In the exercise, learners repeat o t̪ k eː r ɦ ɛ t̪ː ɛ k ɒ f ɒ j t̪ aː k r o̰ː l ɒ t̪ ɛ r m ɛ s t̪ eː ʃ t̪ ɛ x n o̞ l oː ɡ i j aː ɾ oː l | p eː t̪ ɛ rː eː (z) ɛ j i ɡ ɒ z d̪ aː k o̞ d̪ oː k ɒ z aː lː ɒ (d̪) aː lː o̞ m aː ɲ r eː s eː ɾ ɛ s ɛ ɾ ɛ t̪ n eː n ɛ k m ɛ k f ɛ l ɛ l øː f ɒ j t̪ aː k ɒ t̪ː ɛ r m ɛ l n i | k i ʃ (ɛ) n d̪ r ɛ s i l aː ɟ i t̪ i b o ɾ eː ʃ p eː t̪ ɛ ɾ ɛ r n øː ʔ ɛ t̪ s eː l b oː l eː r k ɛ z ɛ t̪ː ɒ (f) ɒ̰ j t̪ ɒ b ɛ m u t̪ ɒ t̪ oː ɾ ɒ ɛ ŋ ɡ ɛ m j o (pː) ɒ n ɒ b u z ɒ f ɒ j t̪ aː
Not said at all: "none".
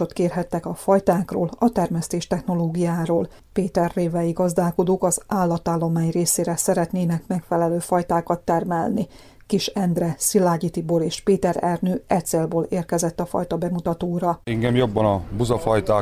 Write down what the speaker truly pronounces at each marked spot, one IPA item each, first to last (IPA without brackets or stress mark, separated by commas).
v, t̪, ɛ, f, bː